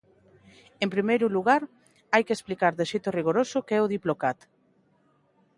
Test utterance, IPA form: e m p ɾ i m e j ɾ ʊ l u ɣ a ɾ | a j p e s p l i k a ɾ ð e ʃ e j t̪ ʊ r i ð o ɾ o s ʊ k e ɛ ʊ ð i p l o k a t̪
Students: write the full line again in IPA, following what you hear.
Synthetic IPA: e m p ɾ i m e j ɾ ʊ l u ɣ a ɾ | a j k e s p l i k a ɾ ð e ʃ e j t̪ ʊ r i ɣ o ɾ o s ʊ k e ɛ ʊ ð i p l o k a t̪